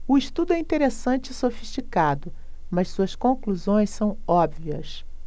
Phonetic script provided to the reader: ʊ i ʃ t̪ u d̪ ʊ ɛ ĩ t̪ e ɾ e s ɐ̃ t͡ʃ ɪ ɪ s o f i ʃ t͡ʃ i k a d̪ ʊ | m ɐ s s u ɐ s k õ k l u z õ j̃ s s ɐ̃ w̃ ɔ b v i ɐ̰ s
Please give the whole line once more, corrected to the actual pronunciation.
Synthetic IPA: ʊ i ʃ t̪ u d̪ ʊ ɛ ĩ t̪ e ɾ e s ɐ̃ t͡ʃ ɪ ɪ s o f i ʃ t͡ʃ i k a d̪ ʊ | m ɐ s s u ɐ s k õ k l u z õ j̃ s s ɐ̃ w̃ ɔ b v i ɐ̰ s